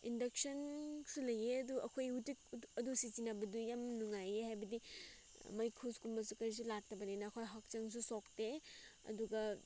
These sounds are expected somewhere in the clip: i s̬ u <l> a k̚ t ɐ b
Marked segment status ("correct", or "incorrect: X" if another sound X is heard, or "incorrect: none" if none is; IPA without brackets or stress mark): correct